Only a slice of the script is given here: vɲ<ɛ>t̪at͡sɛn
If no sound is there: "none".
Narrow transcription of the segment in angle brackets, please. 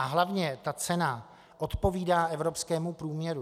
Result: ɛ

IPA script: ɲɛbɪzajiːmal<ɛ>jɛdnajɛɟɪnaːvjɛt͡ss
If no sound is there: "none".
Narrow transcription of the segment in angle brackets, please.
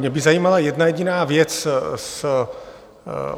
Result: a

